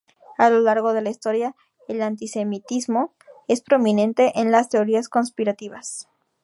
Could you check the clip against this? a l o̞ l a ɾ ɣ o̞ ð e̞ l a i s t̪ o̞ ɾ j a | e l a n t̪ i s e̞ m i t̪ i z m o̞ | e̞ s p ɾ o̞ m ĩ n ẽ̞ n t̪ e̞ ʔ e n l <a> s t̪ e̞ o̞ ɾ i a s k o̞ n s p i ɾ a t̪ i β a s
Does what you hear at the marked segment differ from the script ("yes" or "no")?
no